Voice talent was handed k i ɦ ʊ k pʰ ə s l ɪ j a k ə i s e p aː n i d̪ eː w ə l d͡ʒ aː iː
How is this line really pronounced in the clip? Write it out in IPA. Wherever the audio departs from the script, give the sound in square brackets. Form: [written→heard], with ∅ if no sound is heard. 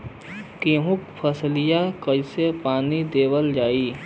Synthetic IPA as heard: k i ɦ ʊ k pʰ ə s l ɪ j a k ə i s e p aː n i d̪ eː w ə l d͡ʒ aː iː